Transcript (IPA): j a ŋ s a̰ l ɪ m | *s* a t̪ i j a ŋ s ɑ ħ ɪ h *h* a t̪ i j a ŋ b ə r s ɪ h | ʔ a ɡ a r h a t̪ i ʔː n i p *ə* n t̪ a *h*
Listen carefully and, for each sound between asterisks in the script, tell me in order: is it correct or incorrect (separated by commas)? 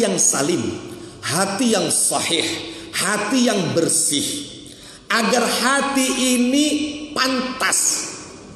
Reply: incorrect, correct, incorrect, incorrect